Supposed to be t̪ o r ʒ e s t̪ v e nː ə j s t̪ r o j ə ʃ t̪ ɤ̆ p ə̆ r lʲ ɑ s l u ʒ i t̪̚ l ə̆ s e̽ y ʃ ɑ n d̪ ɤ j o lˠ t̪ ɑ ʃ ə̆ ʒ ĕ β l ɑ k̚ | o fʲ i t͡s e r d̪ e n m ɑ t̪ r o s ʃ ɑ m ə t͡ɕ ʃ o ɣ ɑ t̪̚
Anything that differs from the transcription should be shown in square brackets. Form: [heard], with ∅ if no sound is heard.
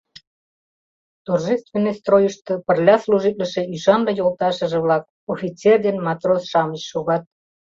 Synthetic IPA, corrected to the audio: t̪ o r ʒ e s t̪ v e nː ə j s t̪ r o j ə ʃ t̪ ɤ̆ p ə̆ r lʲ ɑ s l u ʒ i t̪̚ l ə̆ [ʃ] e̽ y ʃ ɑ n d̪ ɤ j o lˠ t̪ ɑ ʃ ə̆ ʒ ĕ β l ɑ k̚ | o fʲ i t͡s e r d̪ e n m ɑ t̪ r o s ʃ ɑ m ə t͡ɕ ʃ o ɣ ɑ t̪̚

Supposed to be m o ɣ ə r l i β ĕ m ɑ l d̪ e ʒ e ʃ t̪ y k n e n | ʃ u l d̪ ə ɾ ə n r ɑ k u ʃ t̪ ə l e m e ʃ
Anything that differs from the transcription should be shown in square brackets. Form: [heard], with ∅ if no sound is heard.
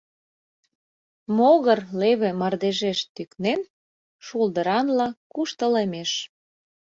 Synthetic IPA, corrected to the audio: m o ɣ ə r l [e] β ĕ m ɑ [r] d̪ e ʒ e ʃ t̪ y k n e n | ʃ u l d̪ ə ɾ [ɑ] n [l] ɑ k u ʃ t̪ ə l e m e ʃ

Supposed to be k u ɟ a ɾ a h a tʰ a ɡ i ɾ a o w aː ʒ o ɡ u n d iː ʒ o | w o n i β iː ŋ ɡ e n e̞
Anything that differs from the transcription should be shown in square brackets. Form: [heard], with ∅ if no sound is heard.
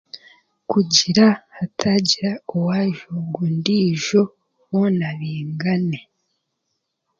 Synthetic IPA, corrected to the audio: k u ɟ [i] ɾ a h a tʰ a [ɟ] i ɾ a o w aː ʒ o ɡ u n d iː ʒ o | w o n [a] β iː ŋ ɡ [a] n e̞

